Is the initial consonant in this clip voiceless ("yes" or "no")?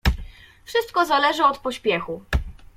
yes